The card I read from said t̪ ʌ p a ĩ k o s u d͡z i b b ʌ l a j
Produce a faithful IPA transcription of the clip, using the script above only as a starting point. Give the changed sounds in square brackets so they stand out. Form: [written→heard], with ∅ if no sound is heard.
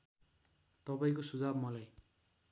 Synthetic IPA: t̪ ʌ p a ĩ k o s u d͡z [i→a] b [b→m] ʌ l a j